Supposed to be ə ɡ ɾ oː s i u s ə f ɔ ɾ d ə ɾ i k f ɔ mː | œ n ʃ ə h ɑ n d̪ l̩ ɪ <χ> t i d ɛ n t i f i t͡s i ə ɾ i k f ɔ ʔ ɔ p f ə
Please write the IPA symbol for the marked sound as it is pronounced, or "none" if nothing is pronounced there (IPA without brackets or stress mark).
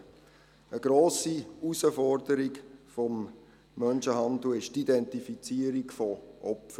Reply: ʃ